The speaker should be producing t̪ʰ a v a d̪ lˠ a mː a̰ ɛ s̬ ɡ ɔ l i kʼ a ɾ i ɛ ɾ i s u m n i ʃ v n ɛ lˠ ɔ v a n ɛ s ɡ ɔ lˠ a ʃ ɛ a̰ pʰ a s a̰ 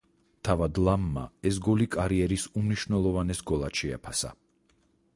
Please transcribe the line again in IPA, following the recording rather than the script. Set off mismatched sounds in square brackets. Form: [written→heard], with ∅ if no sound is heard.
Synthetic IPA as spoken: t̪ʰ a v a d̪ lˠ a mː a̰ ɛ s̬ ɡ ɔ l i kʼ a ɾ i ɛ ɾ i s u m n i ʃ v n ɛ lˠ ɔ v a n ɛ s ɡ ɔ lˠ a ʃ ɛ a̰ pʰ a s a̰